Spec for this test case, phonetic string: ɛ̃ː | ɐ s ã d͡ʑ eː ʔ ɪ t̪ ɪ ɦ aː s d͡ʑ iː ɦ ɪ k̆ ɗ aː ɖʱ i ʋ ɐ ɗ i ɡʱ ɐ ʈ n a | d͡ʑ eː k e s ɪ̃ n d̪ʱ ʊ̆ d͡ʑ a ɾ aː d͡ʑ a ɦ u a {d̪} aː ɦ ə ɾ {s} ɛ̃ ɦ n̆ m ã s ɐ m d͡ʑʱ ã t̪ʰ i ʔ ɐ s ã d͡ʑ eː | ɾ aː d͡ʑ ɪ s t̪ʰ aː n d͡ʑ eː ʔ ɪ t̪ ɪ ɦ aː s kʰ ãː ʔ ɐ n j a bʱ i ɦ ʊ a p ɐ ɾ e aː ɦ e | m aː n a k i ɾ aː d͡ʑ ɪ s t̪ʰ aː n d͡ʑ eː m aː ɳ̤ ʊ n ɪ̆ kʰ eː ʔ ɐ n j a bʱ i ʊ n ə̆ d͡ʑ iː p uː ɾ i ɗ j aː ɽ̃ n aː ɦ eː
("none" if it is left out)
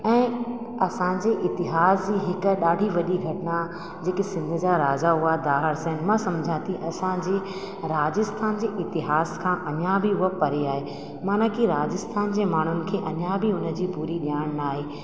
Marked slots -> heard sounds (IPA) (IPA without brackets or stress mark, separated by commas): d̪, s